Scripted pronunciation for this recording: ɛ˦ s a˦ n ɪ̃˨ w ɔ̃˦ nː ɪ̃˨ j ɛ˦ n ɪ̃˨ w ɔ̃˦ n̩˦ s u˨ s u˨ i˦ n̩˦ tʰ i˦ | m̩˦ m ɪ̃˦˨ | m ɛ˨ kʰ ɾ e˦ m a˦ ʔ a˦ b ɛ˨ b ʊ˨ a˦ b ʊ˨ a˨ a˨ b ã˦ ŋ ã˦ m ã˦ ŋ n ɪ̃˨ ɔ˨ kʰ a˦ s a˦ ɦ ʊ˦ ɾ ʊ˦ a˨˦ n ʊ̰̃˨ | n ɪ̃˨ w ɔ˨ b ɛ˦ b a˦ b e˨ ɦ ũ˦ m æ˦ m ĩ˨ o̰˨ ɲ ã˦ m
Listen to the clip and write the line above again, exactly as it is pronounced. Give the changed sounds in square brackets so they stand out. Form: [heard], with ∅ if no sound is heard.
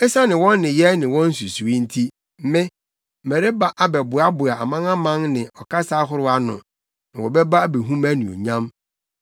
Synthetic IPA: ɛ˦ s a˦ n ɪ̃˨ w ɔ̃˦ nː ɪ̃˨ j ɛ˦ n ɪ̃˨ w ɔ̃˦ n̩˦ s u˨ s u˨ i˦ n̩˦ tʰ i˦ | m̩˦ m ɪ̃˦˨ | m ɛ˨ [∅] ɾ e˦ [b] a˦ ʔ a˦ b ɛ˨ b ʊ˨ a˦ b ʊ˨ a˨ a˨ [m] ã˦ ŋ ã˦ m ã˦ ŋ n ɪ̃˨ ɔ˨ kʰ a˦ s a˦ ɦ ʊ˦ ɾ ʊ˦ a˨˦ n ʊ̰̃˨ | n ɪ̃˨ w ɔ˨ b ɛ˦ b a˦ b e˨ ɦ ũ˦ m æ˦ [n] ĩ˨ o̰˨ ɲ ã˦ m